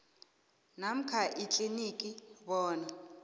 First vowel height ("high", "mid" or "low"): low